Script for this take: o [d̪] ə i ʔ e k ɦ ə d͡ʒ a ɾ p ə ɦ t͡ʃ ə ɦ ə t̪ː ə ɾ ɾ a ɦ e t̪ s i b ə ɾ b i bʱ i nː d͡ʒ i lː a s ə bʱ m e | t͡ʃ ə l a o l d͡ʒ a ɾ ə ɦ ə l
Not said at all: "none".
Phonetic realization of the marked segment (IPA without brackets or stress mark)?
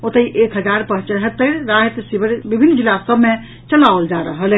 t̪